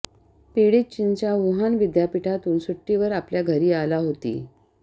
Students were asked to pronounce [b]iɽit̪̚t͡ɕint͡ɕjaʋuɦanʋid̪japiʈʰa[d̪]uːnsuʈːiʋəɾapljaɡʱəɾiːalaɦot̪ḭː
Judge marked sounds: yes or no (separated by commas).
no, no